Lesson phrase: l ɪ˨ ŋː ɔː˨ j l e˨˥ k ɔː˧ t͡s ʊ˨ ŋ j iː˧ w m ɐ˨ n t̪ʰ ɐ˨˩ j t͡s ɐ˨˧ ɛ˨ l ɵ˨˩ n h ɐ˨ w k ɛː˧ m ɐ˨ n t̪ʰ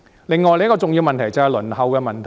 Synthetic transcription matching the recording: l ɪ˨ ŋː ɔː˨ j l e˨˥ k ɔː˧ t͡s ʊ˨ ŋ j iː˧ w m ɐ˨ n t̪ʰ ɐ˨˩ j t͡s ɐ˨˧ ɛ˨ l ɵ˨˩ n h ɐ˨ w k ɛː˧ m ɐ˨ n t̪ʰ